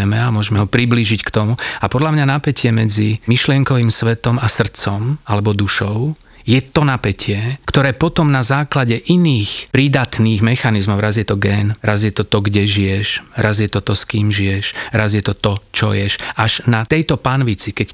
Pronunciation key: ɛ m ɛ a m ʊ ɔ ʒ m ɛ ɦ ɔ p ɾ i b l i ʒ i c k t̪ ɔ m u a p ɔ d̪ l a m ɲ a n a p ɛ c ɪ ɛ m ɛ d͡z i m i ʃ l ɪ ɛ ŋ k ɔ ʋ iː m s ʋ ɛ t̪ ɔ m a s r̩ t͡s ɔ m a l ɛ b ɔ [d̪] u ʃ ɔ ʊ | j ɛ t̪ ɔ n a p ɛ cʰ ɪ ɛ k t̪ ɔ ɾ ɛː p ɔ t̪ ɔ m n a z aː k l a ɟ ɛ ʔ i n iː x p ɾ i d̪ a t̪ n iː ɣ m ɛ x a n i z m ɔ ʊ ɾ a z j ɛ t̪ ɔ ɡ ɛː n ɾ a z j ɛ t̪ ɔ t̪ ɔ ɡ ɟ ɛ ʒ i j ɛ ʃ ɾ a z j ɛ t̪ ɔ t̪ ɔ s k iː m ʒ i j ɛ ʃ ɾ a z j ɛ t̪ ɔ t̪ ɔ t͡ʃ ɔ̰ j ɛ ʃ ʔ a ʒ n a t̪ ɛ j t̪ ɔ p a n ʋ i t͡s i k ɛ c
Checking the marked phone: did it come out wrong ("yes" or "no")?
no